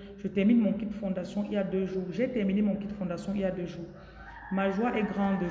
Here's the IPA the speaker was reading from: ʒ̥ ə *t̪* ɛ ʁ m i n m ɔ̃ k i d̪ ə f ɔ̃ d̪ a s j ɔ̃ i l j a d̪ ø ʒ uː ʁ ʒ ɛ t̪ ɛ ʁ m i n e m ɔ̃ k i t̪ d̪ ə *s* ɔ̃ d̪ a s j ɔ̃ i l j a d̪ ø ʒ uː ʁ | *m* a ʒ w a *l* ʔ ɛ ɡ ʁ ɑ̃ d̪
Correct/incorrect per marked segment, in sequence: correct, incorrect: f, correct, incorrect: none

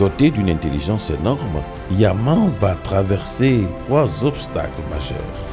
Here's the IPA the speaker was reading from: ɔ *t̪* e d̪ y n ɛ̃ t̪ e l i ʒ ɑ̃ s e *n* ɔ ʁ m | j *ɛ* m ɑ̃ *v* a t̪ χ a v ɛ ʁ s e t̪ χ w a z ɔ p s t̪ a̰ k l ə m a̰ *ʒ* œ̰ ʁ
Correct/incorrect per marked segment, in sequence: correct, correct, incorrect: a, correct, correct

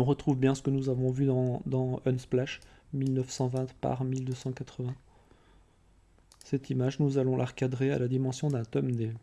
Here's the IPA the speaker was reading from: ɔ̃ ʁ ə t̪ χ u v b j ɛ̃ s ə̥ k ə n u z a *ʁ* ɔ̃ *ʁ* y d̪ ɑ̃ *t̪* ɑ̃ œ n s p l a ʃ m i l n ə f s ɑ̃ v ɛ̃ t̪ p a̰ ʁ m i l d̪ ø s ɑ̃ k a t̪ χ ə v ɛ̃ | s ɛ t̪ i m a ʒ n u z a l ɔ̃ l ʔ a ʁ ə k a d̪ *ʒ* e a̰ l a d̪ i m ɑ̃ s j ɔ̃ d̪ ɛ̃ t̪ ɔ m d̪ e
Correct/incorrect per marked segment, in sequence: incorrect: v, incorrect: v, incorrect: d̪, incorrect: ʁ

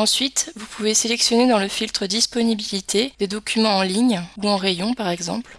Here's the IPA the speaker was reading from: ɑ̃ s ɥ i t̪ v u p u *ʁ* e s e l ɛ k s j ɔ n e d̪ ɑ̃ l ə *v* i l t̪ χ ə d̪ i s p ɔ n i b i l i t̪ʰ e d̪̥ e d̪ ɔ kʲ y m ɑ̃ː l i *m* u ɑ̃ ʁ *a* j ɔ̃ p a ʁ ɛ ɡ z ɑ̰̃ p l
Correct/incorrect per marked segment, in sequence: incorrect: v, incorrect: f, incorrect: ɲ, incorrect: e

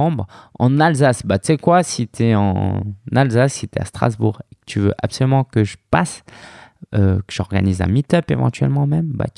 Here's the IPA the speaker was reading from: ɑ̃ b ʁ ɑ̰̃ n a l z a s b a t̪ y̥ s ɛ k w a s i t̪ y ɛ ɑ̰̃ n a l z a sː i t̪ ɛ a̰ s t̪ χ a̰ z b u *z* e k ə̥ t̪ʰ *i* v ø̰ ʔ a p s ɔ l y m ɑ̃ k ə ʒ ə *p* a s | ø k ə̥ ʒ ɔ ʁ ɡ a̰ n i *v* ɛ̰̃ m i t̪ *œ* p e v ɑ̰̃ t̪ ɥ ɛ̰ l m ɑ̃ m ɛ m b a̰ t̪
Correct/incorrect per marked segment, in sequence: incorrect: ʁ, incorrect: y, correct, incorrect: z, correct

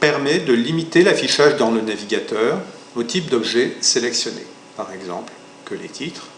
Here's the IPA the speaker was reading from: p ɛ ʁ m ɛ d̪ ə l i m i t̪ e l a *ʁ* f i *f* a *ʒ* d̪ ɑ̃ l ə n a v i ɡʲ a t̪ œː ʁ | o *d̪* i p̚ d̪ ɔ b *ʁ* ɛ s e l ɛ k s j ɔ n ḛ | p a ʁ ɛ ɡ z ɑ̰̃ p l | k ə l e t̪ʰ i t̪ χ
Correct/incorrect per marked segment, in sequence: incorrect: none, incorrect: ʃ, correct, incorrect: t̪, incorrect: ʒ

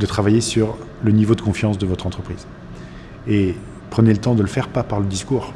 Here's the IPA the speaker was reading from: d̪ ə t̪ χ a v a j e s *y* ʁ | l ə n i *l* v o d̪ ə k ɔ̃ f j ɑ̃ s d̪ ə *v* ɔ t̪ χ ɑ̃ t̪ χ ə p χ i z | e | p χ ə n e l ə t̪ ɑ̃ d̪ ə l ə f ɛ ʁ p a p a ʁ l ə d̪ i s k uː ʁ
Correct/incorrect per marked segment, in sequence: correct, incorrect: none, correct

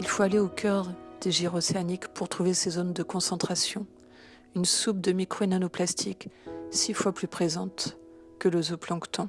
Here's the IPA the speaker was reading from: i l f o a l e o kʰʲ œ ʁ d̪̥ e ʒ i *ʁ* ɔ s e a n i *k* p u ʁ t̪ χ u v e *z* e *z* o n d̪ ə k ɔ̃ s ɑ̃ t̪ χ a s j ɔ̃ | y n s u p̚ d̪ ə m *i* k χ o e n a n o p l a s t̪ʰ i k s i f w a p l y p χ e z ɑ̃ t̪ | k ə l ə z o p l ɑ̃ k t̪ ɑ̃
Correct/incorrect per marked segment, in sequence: correct, correct, incorrect: s, correct, correct

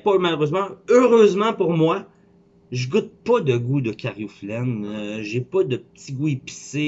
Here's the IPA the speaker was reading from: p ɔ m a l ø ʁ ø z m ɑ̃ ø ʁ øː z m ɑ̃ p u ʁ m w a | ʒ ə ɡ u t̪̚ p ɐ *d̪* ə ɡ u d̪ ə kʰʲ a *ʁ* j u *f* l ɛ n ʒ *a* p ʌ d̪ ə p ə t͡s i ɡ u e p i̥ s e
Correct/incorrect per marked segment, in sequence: correct, correct, correct, incorrect: e

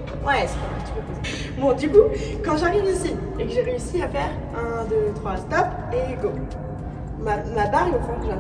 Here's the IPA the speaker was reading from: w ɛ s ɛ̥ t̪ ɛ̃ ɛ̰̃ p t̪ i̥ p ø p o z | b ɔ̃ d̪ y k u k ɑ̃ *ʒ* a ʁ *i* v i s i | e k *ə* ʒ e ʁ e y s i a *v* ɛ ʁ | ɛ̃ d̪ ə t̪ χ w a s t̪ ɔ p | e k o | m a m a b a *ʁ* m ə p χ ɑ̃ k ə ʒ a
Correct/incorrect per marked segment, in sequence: correct, correct, correct, incorrect: f, correct

